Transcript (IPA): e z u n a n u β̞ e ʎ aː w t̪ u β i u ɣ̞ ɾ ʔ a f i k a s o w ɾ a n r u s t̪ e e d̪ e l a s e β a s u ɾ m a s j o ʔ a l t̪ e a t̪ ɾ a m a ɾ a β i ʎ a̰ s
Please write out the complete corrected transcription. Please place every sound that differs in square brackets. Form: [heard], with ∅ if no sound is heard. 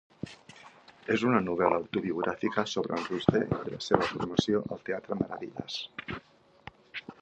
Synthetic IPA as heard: e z u n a n u β̞ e [l] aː w t̪ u β i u ɣ̞ ɾ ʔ a f i k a s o [β] ɾ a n r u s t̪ e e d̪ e l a s e β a [f] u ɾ m a s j o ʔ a l t̪ e a t̪ ɾ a m a ɾ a β i ʎ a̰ s